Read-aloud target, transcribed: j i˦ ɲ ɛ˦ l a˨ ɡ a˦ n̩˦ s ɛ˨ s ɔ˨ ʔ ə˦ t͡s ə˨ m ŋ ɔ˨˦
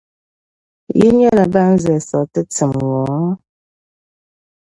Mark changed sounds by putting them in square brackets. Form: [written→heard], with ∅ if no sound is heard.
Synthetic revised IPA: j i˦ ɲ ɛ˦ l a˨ [ɡ→b] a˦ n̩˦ [s→z] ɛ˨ s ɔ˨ [ʔ→t] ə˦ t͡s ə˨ m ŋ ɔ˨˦